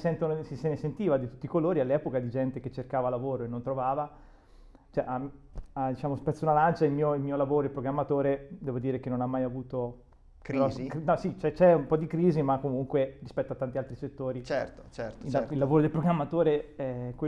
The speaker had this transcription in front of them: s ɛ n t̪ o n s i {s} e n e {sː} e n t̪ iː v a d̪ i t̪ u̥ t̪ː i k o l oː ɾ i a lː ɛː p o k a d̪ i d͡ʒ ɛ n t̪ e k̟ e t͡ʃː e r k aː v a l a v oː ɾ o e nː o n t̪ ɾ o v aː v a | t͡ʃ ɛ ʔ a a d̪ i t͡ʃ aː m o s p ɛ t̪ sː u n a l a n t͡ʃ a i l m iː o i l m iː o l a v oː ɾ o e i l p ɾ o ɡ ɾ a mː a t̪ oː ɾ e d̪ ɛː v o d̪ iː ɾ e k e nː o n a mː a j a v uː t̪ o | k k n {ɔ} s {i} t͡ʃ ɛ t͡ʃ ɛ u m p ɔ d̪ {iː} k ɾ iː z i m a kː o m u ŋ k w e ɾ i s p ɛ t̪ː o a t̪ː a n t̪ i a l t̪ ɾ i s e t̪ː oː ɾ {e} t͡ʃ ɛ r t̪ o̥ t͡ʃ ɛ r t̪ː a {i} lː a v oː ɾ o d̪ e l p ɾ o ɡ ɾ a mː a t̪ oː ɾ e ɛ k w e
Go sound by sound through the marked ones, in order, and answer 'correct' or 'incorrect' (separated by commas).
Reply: correct, incorrect, correct, correct, incorrect, incorrect, correct